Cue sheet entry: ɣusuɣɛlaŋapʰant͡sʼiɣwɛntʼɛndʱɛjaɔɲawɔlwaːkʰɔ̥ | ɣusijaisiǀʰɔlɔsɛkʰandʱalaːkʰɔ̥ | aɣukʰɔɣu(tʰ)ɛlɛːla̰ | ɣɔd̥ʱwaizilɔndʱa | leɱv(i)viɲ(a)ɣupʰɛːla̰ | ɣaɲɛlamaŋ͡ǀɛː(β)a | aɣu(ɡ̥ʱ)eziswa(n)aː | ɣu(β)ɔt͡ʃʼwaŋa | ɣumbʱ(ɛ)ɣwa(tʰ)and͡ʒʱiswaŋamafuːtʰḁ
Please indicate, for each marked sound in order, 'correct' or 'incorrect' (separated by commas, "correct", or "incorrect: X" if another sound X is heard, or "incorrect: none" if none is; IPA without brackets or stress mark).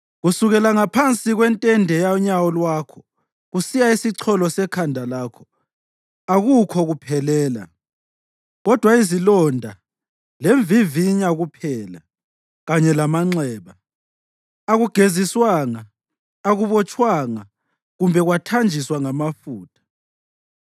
incorrect: pʰ, correct, correct, correct, correct, incorrect: ŋ, correct, correct, correct